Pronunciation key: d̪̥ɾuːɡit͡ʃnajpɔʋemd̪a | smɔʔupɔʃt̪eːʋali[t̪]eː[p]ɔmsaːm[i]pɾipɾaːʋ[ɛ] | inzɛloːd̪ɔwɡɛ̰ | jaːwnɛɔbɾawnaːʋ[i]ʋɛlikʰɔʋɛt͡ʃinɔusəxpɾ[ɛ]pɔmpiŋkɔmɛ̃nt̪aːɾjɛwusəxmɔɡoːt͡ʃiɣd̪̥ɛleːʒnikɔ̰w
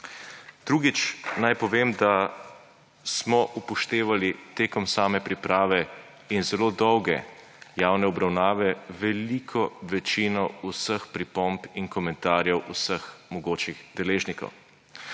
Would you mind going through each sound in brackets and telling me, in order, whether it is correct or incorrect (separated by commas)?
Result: correct, incorrect, incorrect, correct, incorrect, incorrect